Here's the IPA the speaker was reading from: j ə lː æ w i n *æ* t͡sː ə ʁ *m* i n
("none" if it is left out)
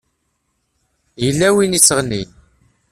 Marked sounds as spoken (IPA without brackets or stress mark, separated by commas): i, n